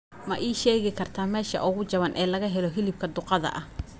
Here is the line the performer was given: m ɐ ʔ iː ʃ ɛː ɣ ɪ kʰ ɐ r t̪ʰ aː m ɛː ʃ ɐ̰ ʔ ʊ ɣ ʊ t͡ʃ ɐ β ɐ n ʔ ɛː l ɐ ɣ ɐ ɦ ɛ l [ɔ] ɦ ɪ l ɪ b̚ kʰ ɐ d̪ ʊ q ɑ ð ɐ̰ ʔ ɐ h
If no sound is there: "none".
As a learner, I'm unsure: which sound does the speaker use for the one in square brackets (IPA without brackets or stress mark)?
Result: ɔ